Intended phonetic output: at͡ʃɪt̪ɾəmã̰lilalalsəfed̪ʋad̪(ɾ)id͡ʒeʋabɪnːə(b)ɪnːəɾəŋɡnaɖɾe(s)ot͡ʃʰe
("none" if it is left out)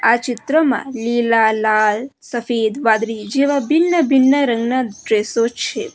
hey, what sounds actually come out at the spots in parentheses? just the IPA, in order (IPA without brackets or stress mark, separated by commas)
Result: ɾ, b, s